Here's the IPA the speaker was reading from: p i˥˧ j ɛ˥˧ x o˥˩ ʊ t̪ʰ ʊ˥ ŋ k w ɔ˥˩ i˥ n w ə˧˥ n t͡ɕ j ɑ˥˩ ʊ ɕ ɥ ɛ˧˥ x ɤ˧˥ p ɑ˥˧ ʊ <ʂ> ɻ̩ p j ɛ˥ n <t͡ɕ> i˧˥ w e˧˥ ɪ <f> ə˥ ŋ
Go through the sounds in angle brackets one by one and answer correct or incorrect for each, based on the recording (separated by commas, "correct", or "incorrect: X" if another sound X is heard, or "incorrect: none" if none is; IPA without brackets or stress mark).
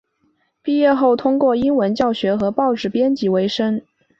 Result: incorrect: ʈ͡ʂ, correct, incorrect: ʂ